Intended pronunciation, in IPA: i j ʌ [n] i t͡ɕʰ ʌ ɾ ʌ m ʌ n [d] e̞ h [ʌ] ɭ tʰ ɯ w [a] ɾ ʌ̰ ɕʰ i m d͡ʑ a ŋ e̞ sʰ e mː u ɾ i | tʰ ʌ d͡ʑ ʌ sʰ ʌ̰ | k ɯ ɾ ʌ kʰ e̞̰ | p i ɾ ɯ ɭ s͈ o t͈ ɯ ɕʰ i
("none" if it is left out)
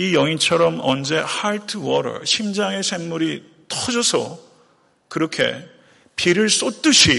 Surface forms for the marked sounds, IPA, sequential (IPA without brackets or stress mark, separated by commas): ŋ, d͡ʑ, a, ʌ